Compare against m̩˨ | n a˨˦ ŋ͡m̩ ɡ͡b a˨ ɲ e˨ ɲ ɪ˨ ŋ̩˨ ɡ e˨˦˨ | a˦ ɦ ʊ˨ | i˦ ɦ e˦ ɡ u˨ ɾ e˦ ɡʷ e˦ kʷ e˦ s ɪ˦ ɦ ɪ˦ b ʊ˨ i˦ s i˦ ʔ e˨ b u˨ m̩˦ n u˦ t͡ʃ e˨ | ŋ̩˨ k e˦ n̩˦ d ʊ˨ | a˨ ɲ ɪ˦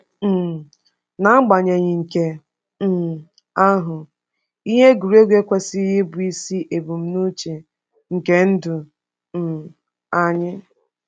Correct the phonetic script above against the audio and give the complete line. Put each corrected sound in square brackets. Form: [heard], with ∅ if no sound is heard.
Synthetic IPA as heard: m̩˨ | n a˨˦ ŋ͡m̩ ɡ͡b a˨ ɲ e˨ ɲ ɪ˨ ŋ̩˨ [k] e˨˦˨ | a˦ ɦ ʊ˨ | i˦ ɦ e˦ ɡ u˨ ɾ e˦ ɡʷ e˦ kʷ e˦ s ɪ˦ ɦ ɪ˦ b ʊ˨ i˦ s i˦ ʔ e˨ b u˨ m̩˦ n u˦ t͡ʃ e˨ | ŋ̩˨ k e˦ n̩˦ d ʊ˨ | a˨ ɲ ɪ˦